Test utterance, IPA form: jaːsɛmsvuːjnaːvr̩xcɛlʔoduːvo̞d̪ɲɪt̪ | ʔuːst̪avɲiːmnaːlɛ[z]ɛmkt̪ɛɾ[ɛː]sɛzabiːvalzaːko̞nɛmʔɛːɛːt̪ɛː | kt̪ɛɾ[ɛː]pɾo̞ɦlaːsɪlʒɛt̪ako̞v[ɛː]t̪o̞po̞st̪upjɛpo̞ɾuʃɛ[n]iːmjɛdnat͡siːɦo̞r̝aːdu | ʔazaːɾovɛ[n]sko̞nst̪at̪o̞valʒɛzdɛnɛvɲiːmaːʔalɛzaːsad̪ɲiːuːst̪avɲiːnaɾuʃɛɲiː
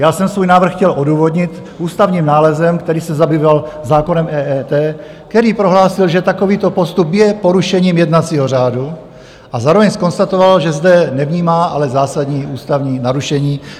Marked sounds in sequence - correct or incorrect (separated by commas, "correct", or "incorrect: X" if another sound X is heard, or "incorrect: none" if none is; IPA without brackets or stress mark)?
correct, incorrect: iː, incorrect: iː, incorrect: iː, incorrect: ɲ, incorrect: ɲ